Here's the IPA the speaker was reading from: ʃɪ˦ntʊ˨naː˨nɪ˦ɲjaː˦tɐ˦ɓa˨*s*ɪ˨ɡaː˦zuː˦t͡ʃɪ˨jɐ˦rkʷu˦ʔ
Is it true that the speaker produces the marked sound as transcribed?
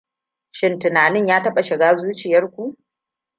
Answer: no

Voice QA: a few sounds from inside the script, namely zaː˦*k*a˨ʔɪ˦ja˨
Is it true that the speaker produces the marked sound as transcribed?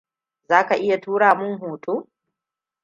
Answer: yes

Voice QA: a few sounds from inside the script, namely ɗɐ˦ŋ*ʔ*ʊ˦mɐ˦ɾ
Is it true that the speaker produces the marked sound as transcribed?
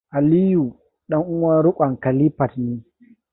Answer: yes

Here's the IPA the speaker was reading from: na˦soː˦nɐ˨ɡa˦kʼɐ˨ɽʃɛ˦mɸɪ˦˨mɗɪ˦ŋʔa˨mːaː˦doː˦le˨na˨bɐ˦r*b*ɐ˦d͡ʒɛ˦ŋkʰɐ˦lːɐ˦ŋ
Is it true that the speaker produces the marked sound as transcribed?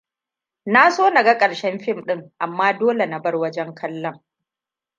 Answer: no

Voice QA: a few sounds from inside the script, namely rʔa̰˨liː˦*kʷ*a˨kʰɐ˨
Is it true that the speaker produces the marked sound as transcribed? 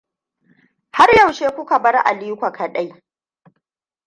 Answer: yes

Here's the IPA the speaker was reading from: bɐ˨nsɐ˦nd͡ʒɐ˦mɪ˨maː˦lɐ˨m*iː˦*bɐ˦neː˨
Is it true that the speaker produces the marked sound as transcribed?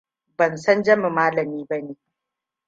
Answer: yes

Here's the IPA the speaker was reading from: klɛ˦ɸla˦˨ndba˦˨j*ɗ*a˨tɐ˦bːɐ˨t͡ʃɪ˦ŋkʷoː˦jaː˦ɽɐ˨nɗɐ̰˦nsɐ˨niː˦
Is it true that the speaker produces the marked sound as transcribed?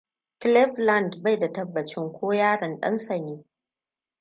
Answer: no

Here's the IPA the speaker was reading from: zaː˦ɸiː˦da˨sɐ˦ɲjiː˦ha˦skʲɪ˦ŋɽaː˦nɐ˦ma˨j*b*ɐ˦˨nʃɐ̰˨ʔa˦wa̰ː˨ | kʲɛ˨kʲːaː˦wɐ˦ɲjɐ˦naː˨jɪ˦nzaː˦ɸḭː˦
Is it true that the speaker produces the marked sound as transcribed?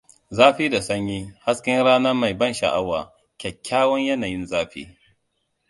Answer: yes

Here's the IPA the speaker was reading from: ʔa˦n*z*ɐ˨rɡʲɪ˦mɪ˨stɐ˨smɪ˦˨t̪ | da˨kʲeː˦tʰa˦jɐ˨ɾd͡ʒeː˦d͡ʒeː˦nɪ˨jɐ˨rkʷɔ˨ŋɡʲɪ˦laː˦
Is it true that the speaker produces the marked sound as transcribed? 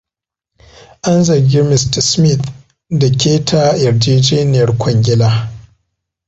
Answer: yes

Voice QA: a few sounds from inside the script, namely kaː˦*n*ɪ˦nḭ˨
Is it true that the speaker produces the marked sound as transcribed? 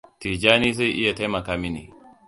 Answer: no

